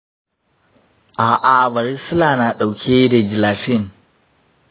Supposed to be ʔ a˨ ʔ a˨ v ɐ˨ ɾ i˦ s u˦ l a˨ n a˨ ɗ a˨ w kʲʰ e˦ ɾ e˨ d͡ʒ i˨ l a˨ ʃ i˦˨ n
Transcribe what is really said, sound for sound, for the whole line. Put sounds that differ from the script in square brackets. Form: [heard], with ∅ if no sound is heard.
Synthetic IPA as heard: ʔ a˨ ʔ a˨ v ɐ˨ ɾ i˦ s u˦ l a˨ n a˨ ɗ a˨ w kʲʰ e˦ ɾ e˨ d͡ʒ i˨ l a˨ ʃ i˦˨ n